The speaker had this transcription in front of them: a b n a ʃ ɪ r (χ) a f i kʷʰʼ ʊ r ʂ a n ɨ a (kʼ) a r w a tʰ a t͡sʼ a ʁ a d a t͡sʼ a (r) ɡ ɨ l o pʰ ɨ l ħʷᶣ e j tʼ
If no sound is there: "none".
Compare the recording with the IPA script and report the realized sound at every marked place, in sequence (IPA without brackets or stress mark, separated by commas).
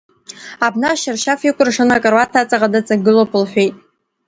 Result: ʃ, kʼ, none